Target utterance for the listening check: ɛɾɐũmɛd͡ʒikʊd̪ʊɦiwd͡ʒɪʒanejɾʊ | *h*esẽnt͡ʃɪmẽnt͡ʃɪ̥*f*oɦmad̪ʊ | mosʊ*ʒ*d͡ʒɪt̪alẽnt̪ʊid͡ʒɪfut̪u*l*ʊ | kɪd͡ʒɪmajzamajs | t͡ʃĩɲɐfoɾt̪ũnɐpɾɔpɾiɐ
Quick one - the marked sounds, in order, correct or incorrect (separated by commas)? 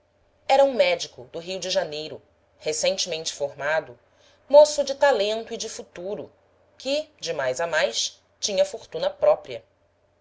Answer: correct, correct, incorrect, incorrect